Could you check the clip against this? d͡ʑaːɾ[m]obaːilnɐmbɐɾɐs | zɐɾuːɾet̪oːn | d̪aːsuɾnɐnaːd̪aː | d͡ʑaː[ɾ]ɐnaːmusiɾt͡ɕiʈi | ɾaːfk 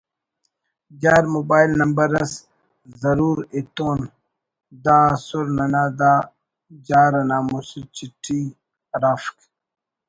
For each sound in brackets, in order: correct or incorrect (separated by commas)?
correct, correct